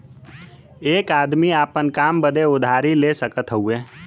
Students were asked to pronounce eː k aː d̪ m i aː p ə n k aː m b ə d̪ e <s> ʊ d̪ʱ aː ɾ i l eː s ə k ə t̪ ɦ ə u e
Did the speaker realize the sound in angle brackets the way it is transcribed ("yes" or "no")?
no